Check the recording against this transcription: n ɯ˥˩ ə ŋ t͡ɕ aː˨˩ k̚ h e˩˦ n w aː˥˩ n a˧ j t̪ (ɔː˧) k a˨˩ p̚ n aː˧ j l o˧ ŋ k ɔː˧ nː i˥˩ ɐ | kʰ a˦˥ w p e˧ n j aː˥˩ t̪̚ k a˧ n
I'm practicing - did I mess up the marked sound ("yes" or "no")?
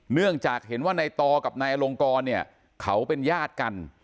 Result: no